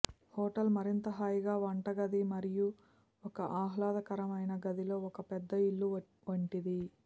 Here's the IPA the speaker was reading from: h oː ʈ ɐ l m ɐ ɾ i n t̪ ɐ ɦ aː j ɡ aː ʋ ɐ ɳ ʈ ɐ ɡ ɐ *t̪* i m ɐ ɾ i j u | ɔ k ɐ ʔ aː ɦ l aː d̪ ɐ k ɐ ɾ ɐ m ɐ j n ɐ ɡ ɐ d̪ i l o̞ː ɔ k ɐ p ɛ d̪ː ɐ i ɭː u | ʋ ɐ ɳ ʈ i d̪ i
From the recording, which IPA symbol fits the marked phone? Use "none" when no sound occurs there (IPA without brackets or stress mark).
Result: d̪